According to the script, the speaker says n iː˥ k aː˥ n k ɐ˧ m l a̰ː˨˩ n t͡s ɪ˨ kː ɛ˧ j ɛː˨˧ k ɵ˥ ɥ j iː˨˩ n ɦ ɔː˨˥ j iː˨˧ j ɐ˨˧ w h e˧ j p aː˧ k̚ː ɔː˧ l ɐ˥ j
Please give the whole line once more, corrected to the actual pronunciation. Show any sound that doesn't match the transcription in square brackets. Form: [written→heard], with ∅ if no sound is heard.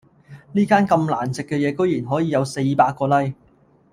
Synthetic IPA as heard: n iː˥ k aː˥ n k ɐ˧ m l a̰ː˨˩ n t͡s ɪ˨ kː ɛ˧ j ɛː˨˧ k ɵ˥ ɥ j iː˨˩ n ɦ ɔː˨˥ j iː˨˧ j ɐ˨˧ w [h→s] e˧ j p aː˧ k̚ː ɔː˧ l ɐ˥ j